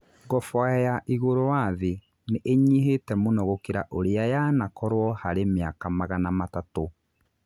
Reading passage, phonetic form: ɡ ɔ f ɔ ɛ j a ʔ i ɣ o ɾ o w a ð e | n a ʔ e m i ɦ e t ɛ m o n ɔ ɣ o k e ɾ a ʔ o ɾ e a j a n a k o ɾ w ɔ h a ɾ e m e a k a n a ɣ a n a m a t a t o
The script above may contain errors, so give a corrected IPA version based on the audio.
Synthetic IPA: ɡ ɔ f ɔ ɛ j a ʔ i ɣ o ɾ o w a ð e | n e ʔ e ɲ i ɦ e t ɛ m o n ɔ ɣ o k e ɾ a ʔ o ɾ e a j a n a k ɔ ɾ w ɔ h a ɾ e m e a k a m a ɣ a n a m a t a t o